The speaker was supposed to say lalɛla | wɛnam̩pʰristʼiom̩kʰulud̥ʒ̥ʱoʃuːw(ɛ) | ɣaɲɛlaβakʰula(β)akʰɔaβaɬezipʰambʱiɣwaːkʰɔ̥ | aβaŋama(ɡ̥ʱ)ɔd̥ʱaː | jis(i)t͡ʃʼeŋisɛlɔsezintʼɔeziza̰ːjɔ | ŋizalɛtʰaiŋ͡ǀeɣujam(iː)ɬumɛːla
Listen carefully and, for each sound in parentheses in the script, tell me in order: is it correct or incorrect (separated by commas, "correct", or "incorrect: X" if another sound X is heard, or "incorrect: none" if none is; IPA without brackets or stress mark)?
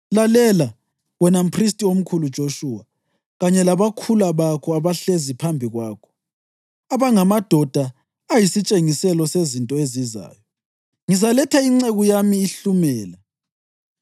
incorrect: a, correct, incorrect: d̥ʱ, correct, correct